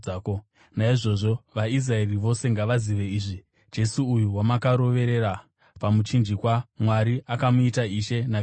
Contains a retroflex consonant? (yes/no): yes